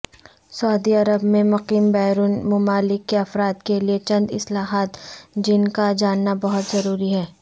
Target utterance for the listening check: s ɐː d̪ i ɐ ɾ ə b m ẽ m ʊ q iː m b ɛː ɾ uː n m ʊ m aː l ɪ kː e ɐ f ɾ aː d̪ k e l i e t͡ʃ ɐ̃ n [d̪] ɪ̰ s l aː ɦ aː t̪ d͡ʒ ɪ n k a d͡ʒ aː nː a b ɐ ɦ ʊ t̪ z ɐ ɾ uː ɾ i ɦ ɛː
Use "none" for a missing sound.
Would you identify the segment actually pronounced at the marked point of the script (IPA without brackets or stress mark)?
d̪